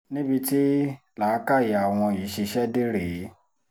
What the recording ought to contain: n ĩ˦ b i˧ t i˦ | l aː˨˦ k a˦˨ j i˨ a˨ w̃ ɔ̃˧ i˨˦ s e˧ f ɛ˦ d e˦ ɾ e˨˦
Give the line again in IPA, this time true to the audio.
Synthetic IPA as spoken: n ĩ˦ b i˧ t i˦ | l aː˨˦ k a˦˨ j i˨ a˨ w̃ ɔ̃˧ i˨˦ ʃ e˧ ʃ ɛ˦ d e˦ ɾ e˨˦